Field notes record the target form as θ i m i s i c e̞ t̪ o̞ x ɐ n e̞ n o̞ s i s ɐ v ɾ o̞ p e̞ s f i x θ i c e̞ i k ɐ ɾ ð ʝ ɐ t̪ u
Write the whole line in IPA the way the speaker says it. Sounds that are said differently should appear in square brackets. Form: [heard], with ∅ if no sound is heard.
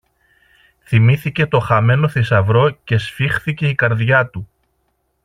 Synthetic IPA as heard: θ i m i [θ] i c e̞ t̪ o̞ x ɐ [m] e̞ n o̞ [θ] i s ɐ v ɾ o̞ [c] e̞ s f i x θ i c e̞ i k ɐ ɾ ð ʝ ɐ t̪ u